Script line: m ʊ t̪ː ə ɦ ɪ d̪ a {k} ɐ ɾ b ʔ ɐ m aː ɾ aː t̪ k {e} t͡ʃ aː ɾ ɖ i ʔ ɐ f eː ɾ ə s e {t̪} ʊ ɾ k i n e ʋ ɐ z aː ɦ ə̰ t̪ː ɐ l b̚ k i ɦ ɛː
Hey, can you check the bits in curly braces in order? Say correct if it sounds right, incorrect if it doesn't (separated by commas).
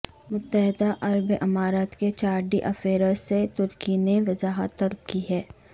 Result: incorrect, correct, correct